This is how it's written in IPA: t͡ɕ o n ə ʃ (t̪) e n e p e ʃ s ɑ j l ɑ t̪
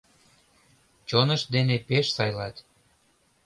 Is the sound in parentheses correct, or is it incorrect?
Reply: incorrect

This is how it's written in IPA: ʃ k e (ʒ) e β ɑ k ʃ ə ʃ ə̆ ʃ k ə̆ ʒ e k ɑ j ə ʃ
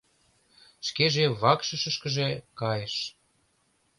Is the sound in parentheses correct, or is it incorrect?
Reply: correct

